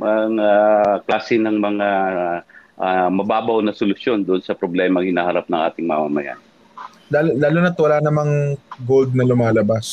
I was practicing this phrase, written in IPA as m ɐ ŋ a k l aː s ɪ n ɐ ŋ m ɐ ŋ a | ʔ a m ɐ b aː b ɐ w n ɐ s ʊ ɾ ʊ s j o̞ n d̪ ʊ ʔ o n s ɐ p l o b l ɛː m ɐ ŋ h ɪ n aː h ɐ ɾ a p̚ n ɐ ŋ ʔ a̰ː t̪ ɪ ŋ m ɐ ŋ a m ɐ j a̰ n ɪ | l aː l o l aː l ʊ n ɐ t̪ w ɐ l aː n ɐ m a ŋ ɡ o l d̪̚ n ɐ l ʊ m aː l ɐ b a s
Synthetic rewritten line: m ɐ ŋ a k l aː s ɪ n ɐ ŋ m ɐ ŋ a | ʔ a m ɐ b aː b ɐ w n ɐ s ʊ l ʊ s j o̞ n d̪ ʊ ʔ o n s ɐ p ɾ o b l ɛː m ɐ ŋ h ɪ n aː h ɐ ɾ a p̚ n ɐ ŋ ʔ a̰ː t̪ ɪ ŋ m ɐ m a m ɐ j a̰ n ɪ | l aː l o l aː l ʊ n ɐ t̪ w ɐ l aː n ɐ m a ŋ ɡ o l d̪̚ n ɐ l ʊ m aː l ɐ b a s